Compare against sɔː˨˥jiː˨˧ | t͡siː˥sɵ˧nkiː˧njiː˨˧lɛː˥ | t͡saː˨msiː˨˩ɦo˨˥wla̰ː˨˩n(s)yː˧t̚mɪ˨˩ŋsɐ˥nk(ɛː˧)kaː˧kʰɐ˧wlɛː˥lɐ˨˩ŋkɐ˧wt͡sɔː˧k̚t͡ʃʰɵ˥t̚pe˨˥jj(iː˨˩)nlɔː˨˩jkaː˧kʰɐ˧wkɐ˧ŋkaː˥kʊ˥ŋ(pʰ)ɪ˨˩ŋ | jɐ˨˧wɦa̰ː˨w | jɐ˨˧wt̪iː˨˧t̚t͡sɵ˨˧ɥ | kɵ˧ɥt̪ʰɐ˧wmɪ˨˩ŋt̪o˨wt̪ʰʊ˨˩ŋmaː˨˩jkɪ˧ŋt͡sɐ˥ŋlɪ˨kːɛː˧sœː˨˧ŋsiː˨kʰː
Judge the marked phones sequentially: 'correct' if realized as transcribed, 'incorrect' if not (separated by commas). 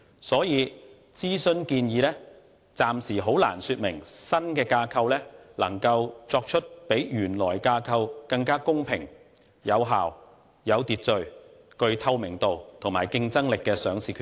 correct, correct, incorrect, correct